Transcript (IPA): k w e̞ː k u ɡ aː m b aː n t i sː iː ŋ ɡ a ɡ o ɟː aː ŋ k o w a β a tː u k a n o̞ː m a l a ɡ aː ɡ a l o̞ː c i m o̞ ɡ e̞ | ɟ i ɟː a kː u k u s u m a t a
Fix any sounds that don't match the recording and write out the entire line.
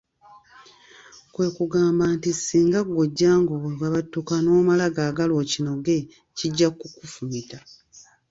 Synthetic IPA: k w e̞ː k u ɡ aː m b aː n t i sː iː ŋ ɡ a ɡ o ɟː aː ŋ ɡ o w a β a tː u k a n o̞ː m a l a ɡ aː ɡ a l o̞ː c i n o̞ ɡ e̞ | c i ɟː a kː u k u f u m i t a